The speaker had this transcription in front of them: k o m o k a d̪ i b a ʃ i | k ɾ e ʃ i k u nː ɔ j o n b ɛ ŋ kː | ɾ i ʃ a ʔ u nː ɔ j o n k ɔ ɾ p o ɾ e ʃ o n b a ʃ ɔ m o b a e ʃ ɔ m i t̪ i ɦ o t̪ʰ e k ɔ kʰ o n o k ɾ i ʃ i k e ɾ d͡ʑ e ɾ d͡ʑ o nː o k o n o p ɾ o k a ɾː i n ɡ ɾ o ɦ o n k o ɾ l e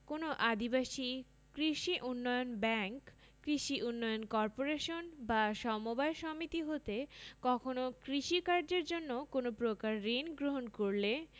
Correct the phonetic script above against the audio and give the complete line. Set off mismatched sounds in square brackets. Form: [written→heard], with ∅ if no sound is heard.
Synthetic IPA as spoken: k o [m→n] o [k→ʔ] a d̪ i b a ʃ i | k ɾ [e→i] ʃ i [k→ʔ] u nː ɔ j o n b ɛ ŋ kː | ɾ i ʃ [a→i] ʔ u nː ɔ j o n k ɔ ɾ p o ɾ e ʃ o n b a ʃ ɔ m o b a e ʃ ɔ m i t̪ i ɦ o [t̪ʰ→t̪] e k ɔ kʰ o n o k ɾ i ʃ i k [e→a] ɾ d͡ʑ e ɾ d͡ʑ o nː o k o n o p ɾ o k a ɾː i n ɡ ɾ o ɦ o n k o ɾ l e